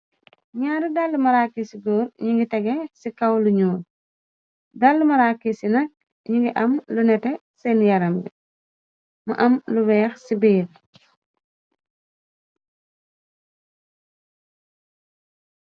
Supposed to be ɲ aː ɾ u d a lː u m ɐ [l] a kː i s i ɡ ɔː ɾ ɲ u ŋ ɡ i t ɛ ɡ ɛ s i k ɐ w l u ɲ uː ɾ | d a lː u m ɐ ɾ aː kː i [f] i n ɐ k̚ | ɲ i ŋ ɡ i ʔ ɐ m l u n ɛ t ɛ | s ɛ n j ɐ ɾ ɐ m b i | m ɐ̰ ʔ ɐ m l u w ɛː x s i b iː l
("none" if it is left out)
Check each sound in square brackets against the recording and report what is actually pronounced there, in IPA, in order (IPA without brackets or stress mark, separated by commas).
ɾ, s